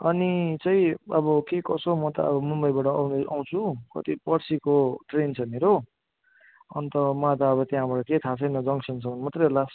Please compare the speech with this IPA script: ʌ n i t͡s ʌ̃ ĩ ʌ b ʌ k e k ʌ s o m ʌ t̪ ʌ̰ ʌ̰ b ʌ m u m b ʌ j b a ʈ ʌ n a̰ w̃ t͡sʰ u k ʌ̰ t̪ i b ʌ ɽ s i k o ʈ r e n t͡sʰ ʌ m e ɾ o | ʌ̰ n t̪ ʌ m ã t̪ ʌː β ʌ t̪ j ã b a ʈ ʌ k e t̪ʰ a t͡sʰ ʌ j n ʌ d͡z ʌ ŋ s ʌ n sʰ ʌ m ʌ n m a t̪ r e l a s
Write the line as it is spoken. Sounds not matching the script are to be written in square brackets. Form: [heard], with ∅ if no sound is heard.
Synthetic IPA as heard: ʌ n i t͡s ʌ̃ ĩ ʌ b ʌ k e k ʌ s o m ʌ t̪ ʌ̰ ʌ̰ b ʌ m u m b ʌ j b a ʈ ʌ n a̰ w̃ t͡sʰ u k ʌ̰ t̪ i [p] ʌ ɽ s i k o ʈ r e n t͡sʰ ʌ m e ɾ o | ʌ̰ n t̪ ʌ m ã t̪ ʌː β ʌ t̪ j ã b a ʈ ʌ k e t̪ʰ a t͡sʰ ʌ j n ʌ d͡z ʌ ŋ s ʌ n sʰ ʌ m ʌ n m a t̪ r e l a s